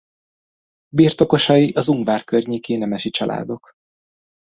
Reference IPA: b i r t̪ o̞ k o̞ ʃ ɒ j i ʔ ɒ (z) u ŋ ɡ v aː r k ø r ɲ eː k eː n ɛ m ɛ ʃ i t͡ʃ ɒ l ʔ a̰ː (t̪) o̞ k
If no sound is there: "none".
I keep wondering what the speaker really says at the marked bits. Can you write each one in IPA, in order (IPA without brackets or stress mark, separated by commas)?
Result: z, d̪